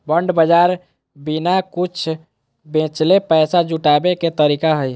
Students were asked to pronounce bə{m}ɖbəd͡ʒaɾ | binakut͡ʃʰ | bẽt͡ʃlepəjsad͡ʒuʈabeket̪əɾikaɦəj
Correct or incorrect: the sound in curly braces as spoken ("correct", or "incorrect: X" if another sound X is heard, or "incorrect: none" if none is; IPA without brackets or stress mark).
incorrect: ɳ